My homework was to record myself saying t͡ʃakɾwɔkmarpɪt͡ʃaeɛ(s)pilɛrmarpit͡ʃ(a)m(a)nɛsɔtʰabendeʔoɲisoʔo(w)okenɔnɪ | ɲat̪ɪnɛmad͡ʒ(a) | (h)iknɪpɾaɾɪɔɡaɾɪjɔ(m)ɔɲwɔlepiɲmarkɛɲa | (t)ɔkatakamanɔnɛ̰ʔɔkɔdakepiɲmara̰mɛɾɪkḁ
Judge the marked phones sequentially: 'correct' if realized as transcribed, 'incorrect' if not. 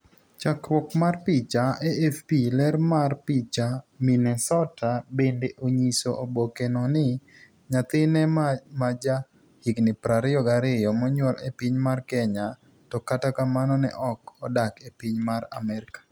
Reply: incorrect, correct, incorrect, incorrect, correct, correct, correct, correct

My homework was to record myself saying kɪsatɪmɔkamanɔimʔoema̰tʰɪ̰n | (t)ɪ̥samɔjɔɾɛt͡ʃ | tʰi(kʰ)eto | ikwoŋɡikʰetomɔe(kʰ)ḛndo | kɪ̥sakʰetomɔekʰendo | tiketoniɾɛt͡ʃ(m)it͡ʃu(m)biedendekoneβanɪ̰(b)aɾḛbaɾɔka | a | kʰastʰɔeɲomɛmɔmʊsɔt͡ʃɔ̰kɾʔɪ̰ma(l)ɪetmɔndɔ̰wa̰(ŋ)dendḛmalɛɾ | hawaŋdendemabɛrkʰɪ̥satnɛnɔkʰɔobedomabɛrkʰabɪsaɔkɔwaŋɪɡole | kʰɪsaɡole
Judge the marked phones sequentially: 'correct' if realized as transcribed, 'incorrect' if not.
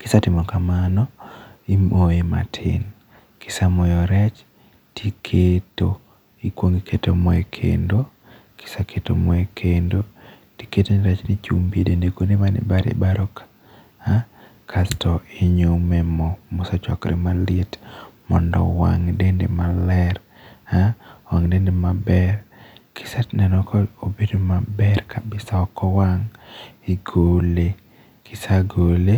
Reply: incorrect, correct, correct, incorrect, correct, correct, correct, correct

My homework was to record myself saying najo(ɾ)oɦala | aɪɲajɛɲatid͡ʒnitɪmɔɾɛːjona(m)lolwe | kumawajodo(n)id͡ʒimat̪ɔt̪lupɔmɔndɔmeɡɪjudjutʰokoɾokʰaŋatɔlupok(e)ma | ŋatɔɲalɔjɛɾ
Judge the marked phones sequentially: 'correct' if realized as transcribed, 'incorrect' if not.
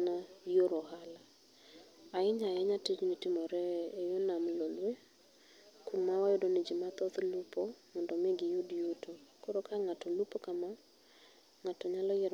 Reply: correct, correct, correct, incorrect

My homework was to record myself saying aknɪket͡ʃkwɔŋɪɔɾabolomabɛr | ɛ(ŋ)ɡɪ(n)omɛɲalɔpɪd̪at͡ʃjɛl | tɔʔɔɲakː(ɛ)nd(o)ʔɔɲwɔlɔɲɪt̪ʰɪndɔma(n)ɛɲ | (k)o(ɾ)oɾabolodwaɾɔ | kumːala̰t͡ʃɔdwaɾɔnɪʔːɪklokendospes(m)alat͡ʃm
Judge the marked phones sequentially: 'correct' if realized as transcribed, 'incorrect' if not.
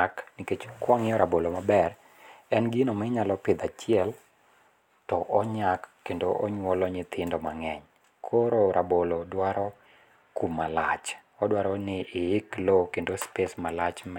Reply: incorrect, correct, incorrect, correct, incorrect, incorrect, correct, correct

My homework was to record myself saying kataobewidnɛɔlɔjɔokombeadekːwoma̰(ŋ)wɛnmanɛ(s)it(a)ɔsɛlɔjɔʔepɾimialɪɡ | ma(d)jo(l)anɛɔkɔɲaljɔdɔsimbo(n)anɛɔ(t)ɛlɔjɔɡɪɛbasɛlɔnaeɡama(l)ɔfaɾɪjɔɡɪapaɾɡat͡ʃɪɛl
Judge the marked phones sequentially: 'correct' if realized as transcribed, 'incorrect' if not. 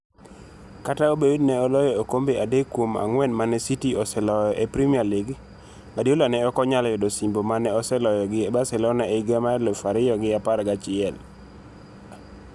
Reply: correct, correct, incorrect, correct, correct, incorrect, incorrect, correct

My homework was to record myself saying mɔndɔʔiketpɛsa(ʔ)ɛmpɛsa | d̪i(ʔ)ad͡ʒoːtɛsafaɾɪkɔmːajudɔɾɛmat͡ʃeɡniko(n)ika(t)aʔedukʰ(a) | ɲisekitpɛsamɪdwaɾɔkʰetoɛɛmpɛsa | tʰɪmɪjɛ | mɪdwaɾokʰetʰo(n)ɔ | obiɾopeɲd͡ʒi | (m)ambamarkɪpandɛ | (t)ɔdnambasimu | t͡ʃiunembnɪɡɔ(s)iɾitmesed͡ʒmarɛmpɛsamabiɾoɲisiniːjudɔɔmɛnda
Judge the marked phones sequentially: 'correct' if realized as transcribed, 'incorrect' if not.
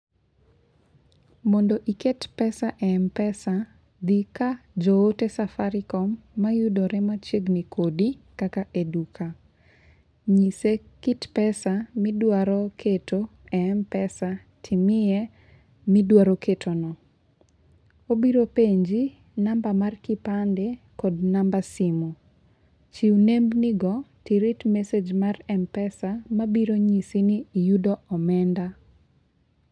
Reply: correct, incorrect, incorrect, incorrect, correct, correct, incorrect, incorrect, incorrect

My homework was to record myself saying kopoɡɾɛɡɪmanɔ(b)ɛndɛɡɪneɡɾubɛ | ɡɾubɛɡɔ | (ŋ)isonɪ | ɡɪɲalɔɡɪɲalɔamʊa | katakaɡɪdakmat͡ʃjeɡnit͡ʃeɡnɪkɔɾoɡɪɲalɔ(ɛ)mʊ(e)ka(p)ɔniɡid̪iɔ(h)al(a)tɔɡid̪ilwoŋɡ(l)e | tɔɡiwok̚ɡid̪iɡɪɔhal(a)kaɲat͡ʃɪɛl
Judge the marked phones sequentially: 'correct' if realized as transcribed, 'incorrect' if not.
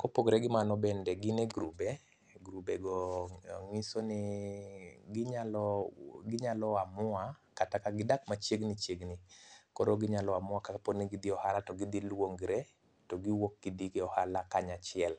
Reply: correct, correct, incorrect, incorrect, correct, correct, correct, incorrect, correct

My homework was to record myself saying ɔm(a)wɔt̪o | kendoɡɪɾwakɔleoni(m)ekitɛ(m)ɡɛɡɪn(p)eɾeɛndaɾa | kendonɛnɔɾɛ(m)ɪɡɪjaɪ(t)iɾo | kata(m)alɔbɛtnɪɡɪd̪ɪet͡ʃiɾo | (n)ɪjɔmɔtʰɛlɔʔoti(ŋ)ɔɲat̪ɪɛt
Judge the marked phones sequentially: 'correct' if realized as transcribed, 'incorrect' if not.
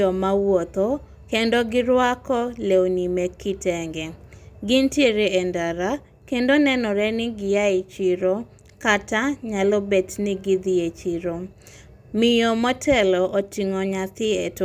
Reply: correct, correct, incorrect, incorrect, incorrect, incorrect, incorrect, incorrect, correct

